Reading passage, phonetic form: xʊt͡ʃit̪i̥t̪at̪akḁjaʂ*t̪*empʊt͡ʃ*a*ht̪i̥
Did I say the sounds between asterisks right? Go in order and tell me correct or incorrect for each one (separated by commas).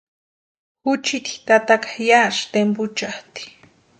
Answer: correct, correct